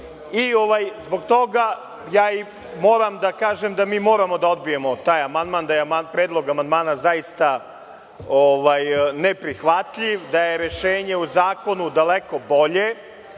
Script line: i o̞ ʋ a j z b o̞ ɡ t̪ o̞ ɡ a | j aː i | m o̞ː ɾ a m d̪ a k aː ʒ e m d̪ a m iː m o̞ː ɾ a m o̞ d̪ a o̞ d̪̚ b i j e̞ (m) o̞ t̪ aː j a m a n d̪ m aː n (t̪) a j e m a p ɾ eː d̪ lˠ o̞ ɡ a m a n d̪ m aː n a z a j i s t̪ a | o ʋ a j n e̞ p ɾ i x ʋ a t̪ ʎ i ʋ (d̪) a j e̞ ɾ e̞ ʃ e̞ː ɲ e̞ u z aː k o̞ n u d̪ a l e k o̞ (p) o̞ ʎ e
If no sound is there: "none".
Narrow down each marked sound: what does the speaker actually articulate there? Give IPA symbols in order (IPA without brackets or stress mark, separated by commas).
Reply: m, d̪, d̪, b